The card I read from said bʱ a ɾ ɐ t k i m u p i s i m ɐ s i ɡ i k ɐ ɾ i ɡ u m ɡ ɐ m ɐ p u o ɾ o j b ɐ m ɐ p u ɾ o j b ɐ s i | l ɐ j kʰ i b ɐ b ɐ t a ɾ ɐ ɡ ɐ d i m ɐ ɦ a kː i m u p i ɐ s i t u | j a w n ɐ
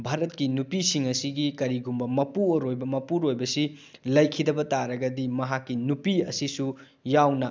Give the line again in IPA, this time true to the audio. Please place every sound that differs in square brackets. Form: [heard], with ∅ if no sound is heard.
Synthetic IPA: bʱ a ɾ ɐ t k i [n] u p i s i [ŋ] ɐ s i ɡ i k ɐ ɾ i ɡ u m [b] ɐ m ɐ p u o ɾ o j b ɐ m ɐ p u ɾ o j b ɐ s i | l ɐ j kʰ i [d] ɐ b ɐ t a ɾ ɐ ɡ ɐ d i m ɐ ɦ a kː i [n] u p i ɐ s i [s] u | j a w n ɐ